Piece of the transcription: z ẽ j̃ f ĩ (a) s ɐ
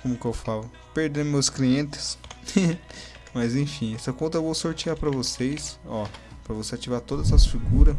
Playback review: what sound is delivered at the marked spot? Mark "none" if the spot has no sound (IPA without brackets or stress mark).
ɛ